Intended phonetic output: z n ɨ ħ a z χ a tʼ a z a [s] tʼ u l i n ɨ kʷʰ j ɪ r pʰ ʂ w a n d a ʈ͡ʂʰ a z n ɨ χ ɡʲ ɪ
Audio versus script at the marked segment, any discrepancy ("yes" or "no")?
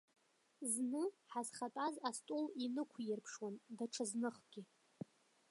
no